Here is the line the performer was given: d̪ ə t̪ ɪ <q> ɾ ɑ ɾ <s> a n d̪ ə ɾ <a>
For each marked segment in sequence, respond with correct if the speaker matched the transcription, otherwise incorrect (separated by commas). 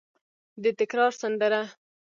incorrect, correct, correct